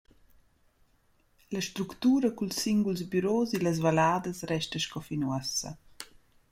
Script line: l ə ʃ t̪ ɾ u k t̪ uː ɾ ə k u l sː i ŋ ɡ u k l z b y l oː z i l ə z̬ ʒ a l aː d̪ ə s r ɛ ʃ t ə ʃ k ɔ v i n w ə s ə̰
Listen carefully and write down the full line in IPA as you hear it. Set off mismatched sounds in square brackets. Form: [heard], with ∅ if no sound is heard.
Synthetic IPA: l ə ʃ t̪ ɾ u k t̪ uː ɾ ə k u l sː i ŋ ɡ u [∅] l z b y [ɾ] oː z i l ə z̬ [v] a l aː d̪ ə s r ɛ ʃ t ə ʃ k ɔ [f] i n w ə s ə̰